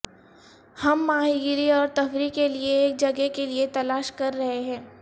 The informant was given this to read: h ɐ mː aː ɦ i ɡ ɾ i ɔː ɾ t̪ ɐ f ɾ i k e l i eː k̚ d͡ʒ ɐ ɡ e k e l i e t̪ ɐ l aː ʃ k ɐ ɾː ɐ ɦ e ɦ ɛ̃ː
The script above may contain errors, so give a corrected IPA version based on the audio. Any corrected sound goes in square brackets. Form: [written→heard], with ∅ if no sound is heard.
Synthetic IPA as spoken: h ɐ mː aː ɦ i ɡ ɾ i ɔː ɾ t̪ ɐ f ɾ i k e l i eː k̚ d͡ʒ ɐ ɡ e k e l i e t̪ ɐ l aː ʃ k ɐ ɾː ɐ ɦ e ɦ ɛ̃ː